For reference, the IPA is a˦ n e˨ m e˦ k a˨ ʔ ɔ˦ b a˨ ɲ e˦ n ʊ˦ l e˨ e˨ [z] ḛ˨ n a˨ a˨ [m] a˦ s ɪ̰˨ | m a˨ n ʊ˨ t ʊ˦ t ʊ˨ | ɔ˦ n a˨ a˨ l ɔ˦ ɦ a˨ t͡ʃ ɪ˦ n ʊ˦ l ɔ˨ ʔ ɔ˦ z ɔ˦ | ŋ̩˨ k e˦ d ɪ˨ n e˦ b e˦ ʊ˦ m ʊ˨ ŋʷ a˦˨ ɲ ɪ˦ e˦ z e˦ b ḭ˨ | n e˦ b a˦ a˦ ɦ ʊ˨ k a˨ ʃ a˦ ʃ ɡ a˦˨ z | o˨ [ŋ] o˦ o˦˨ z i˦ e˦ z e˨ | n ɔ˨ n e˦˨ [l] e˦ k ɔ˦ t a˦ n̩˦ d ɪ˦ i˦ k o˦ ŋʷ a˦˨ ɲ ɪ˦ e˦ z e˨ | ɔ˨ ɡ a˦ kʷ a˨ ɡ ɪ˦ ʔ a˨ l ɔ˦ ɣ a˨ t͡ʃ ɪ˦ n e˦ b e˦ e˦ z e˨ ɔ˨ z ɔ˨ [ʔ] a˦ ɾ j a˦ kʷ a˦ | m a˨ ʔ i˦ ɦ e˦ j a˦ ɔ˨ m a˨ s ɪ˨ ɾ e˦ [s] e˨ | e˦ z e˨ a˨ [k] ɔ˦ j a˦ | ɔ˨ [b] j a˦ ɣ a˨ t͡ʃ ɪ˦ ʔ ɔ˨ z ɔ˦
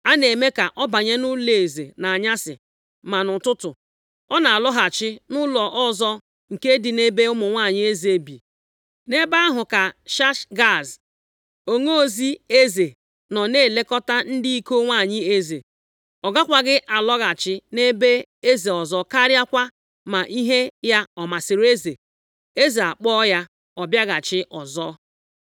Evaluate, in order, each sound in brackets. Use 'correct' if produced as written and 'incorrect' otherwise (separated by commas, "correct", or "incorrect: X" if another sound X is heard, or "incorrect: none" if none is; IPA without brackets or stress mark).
correct, incorrect: ɲ, correct, correct, incorrect: k, incorrect: z, incorrect: k͡p, correct